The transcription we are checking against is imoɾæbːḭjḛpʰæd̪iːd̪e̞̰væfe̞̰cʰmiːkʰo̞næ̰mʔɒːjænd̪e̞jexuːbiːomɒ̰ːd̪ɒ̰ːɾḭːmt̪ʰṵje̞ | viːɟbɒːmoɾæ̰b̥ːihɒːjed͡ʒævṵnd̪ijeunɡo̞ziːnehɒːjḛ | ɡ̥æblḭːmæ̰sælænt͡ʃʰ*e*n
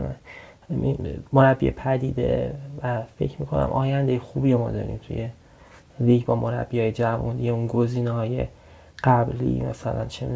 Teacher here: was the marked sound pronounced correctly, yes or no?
yes